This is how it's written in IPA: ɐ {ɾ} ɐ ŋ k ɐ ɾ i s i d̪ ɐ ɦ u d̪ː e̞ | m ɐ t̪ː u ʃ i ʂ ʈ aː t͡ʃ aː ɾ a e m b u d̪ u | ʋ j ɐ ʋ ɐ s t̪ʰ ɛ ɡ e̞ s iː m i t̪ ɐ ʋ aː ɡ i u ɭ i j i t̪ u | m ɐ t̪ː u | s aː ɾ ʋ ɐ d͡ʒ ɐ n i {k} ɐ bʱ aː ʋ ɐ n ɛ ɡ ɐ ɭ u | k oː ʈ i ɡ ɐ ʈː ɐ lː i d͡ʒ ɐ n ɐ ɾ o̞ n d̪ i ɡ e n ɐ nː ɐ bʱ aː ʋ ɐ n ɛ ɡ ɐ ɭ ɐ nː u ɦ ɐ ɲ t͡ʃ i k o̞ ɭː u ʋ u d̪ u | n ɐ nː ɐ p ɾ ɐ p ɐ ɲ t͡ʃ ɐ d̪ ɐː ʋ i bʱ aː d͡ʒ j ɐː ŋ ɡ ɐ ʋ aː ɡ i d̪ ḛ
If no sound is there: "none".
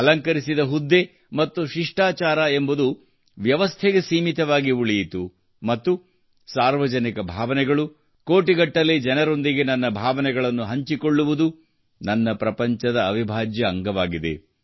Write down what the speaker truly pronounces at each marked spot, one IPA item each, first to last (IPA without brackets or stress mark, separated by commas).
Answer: l, k